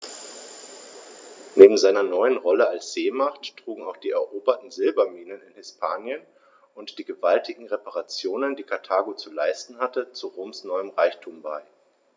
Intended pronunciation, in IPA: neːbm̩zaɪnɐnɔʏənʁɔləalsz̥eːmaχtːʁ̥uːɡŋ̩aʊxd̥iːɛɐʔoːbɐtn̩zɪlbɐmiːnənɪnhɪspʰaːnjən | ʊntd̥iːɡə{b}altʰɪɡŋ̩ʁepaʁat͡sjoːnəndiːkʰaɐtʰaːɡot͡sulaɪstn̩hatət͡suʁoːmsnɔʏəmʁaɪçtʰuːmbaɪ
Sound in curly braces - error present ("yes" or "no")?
yes